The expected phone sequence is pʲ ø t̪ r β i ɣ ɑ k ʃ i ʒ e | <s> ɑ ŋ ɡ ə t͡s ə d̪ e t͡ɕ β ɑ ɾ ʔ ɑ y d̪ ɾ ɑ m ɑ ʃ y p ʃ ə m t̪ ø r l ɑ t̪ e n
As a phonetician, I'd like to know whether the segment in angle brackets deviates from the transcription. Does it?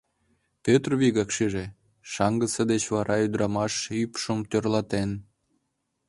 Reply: yes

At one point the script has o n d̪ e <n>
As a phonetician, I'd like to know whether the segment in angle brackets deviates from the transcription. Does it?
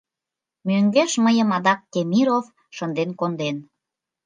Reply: no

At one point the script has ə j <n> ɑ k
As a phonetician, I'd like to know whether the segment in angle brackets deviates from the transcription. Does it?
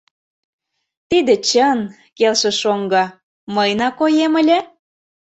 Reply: no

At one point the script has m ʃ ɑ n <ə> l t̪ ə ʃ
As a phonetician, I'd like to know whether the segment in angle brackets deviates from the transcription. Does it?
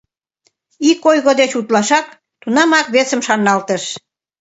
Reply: yes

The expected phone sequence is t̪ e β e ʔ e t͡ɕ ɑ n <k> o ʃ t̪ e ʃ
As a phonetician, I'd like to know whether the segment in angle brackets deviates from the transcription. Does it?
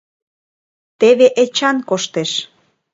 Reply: no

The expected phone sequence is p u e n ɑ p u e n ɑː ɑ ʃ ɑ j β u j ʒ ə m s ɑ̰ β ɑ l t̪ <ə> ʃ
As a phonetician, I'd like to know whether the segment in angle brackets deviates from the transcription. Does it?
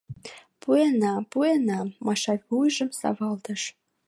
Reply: no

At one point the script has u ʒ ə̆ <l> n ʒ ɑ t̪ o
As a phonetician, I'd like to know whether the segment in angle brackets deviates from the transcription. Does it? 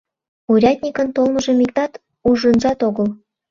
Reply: yes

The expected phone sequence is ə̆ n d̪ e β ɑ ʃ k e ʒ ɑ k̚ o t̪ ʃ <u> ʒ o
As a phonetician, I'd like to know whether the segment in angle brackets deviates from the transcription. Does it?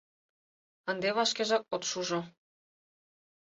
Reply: no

